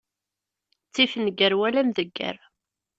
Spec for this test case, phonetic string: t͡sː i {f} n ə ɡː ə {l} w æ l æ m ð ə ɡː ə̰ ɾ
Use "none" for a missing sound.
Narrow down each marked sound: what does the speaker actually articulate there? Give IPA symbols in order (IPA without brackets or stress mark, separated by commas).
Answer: f, ɾ